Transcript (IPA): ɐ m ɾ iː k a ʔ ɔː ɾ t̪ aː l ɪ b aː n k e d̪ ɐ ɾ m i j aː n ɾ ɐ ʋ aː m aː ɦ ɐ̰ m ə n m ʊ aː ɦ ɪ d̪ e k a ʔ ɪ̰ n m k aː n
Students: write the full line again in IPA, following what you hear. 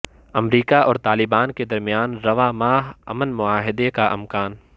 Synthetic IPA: ɐ m ɾ iː k a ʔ ɔː ɾ t̪ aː l ɪ b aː n k e d̪ ɐ ɾ m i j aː n ɾ ɐ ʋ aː m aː ɦ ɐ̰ m ə n m ʊ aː ɦ ɪ d̪ e k a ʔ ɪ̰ m k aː n